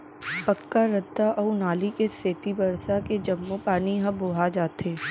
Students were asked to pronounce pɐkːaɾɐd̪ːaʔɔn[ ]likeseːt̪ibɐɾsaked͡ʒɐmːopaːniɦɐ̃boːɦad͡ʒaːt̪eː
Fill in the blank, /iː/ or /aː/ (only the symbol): aː